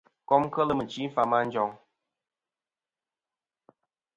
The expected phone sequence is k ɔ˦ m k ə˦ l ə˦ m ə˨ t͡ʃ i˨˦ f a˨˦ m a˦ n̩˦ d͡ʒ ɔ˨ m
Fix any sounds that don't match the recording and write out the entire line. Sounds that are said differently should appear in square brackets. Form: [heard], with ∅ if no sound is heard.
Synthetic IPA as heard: k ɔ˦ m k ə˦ l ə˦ m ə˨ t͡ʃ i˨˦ f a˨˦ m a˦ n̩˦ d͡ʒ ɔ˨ [ŋ]